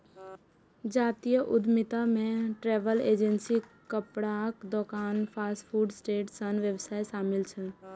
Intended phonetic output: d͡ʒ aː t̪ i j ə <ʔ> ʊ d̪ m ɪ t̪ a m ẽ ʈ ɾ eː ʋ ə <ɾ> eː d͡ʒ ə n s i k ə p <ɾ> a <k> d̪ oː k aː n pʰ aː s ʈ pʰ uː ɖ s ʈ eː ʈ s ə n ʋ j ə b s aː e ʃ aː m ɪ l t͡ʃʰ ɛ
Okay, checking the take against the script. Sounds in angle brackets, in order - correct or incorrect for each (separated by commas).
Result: correct, incorrect, incorrect, correct